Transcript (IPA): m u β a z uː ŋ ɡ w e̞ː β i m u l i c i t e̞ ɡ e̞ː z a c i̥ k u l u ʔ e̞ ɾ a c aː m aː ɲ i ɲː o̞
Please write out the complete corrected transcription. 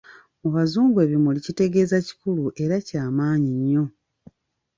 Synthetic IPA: m u β a z uː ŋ ɡ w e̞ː β i m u l i c i t e̞ ɡ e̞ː z a c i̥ k u l u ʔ e̞ ɾ a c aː m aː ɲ i ɲː o̞